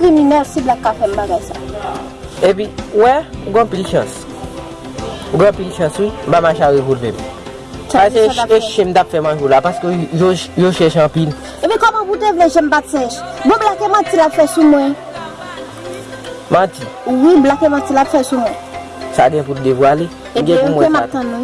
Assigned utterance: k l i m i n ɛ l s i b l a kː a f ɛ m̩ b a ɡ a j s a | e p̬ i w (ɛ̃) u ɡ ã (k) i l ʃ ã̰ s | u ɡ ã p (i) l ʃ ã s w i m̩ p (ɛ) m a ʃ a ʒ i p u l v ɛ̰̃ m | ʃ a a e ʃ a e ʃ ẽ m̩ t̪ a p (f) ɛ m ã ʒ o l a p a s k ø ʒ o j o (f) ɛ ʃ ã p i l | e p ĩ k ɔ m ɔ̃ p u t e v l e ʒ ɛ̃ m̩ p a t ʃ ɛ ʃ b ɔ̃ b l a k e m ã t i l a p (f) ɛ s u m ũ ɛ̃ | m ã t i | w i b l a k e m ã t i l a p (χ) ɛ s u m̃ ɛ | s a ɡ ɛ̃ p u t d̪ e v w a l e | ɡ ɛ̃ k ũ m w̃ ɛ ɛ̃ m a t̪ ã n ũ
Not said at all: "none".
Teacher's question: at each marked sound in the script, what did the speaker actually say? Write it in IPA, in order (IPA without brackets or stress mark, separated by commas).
ɛ, p, i, a, f, ʃ, f, f